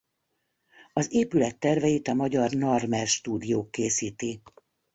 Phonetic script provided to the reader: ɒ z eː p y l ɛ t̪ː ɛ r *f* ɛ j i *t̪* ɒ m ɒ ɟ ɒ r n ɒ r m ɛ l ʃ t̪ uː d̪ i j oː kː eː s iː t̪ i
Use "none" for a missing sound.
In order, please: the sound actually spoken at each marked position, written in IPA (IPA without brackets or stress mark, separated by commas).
v, t̪